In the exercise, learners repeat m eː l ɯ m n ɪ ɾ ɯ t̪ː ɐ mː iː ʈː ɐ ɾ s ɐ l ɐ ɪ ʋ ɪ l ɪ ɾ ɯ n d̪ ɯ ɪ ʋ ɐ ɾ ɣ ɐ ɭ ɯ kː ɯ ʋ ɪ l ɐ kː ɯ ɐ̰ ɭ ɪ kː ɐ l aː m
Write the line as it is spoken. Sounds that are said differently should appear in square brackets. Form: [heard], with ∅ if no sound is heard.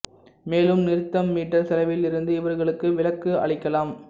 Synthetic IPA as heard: m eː l ɯ m n ɪ ɾ ɯ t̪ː ɐ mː iː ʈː ɐ ɾ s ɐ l ɐ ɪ ʋ ɪ l ɪ ɾ ɯ n d̪ ɯ ɪ ʋ ɐ ɾ ɣ ɐ ɭ ɯ kː ɯ ʋ ɪ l ɐ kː ɯ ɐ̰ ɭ ɪ kː ɐ l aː m